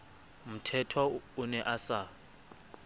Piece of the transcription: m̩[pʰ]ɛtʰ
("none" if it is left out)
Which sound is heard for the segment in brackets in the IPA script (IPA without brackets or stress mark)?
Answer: tʰ